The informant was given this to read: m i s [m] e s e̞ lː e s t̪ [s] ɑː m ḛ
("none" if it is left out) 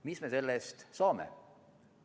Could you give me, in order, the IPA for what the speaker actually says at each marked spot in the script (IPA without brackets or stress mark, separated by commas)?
m, s